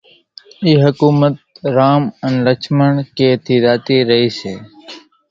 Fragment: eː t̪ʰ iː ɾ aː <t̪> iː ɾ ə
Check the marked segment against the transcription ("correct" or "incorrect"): correct